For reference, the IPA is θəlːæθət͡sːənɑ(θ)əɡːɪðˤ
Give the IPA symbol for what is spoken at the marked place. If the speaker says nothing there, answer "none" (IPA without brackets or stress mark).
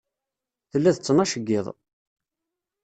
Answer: ʃ